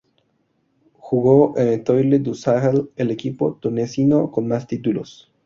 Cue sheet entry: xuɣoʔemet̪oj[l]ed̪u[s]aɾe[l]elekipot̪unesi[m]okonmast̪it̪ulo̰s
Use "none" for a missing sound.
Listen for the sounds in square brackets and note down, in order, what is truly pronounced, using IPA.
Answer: l, s, l, n

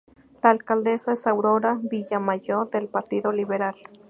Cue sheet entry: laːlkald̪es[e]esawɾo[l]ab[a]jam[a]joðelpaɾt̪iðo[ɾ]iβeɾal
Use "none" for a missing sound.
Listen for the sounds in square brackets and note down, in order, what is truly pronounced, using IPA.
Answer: a, ɾ, i, a, l

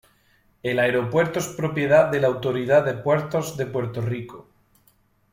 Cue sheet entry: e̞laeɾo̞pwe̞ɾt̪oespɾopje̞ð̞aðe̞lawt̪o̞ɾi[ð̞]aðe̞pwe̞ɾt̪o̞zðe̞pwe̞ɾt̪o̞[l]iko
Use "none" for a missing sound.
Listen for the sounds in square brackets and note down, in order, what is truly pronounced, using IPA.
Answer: ð̞, r

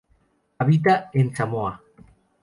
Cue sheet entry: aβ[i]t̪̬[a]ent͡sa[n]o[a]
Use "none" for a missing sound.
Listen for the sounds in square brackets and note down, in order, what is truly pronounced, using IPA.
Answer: i, a, m, a

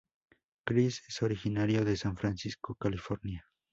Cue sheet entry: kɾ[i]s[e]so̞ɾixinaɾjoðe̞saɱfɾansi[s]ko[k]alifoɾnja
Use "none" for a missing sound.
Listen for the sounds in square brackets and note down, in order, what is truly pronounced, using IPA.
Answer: i, e, s, k

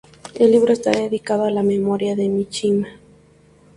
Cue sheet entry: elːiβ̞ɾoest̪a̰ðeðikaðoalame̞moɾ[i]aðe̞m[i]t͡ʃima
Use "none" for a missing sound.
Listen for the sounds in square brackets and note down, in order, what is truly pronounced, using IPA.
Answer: j, i

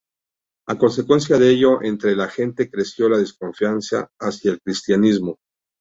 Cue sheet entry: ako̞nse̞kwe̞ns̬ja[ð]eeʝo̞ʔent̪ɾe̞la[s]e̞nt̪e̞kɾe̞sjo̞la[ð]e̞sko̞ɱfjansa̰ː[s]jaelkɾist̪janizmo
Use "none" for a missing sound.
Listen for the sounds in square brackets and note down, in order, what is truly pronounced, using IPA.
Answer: ð, x, ð, s

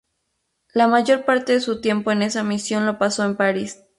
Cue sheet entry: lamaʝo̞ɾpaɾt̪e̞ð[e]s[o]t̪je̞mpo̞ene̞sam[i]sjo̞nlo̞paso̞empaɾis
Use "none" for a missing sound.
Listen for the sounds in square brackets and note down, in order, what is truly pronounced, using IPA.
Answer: e, u, i

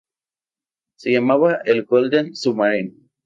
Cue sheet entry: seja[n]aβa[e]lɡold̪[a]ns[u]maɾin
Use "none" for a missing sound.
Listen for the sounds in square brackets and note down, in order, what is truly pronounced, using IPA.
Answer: m, e, e, u

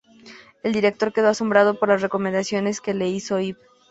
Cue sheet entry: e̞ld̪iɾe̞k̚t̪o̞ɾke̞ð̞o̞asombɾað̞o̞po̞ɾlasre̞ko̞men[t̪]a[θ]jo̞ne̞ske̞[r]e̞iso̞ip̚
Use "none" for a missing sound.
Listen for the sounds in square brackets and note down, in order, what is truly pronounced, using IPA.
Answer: d̪, s, l

